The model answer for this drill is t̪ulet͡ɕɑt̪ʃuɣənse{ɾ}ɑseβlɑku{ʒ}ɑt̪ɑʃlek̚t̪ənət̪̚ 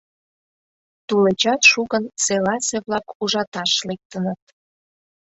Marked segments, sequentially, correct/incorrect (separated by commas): incorrect, correct